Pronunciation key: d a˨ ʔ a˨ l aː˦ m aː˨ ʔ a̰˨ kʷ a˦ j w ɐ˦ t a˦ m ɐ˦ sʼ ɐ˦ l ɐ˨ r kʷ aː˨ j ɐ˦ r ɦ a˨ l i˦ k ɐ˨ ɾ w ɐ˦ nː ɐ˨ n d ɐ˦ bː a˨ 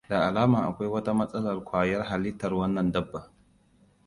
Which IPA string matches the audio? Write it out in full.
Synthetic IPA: d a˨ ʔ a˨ l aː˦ m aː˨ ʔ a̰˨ kʷ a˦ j w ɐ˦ t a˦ m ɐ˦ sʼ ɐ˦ l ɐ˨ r kʷ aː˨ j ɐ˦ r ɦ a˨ l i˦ t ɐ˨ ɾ w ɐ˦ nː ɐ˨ n d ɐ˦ bː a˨